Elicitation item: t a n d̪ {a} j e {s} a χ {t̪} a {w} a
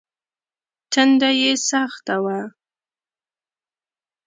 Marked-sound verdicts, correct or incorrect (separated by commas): correct, correct, correct, correct